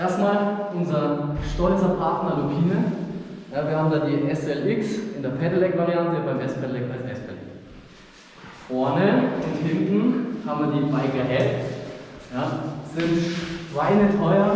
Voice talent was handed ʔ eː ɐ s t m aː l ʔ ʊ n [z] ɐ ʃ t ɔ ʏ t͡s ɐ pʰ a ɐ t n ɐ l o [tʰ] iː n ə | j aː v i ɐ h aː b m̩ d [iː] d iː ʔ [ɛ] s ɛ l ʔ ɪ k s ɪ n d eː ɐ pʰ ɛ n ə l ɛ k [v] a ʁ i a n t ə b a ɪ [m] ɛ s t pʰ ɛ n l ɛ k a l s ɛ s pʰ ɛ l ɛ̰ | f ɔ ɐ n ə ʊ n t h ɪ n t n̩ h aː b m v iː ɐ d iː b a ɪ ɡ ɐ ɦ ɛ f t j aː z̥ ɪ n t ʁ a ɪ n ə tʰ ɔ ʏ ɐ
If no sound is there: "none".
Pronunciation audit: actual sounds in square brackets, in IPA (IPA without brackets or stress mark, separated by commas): z, pʰ, aː, ɛ, v, m